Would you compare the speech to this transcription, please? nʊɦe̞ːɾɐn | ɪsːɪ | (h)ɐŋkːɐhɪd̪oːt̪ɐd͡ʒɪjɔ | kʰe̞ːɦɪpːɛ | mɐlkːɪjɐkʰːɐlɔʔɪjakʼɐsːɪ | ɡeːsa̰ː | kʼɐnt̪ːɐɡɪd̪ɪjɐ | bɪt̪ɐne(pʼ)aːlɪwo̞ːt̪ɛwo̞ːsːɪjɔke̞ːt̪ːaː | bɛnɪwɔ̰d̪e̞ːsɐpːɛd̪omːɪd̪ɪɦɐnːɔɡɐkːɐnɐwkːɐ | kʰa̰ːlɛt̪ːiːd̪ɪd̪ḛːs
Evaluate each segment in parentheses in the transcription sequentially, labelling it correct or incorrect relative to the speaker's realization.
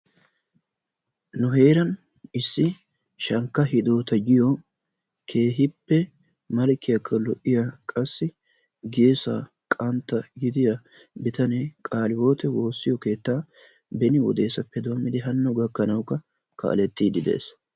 incorrect: ʃ, incorrect: kʼ

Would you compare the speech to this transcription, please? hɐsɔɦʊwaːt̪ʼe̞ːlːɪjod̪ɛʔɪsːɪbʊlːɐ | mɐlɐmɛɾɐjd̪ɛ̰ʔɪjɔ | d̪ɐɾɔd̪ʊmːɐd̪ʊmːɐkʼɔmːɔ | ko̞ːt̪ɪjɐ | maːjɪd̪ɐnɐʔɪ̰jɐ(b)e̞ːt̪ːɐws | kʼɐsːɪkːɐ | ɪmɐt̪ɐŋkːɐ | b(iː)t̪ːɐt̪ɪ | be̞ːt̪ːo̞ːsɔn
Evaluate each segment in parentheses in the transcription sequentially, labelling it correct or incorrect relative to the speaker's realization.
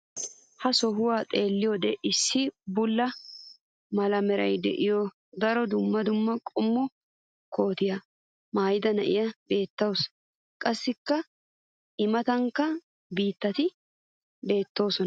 correct, correct

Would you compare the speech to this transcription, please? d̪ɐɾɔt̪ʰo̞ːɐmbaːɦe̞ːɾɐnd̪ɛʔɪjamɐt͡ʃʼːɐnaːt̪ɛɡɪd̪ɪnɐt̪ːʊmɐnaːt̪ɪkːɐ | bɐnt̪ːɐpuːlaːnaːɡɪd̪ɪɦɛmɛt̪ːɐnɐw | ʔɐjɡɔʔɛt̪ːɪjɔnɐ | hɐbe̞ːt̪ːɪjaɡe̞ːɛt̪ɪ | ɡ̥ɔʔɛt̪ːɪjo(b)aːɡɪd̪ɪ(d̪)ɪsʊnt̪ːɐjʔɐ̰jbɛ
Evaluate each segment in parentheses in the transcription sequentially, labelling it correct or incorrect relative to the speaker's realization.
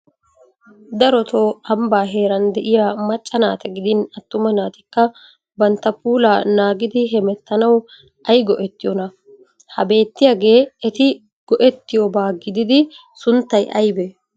correct, correct

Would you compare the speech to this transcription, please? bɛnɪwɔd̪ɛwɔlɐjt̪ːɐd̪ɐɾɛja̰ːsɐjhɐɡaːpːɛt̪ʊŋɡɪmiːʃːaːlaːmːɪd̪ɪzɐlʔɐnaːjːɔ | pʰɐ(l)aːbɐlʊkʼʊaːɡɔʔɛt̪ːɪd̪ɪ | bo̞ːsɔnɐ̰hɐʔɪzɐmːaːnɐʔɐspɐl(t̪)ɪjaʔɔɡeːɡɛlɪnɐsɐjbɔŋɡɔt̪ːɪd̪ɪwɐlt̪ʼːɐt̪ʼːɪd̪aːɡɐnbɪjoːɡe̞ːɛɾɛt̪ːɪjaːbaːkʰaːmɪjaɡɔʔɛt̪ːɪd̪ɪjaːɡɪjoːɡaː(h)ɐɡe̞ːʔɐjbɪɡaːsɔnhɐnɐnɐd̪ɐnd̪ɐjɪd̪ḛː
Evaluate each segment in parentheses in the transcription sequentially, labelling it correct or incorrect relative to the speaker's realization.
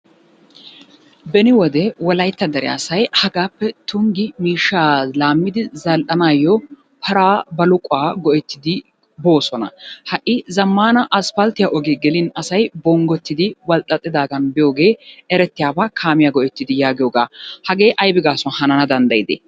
incorrect: ɾ, correct, correct

